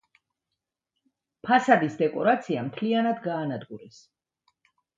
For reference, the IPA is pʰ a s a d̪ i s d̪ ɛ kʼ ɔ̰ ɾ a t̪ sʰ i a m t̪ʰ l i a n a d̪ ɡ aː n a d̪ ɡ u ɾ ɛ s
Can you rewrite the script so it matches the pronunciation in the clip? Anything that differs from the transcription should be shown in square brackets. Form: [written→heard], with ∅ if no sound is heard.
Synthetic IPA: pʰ a s a d̪ i s d̪ ɛ kʼ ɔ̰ ɾ a t̪ sʰ i a m t̪ʰ l i a n a d̪ ɡ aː n a d̪ ɡ u ɾ ɛ s